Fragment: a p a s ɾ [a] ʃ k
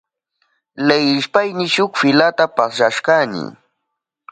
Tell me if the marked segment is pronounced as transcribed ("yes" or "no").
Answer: yes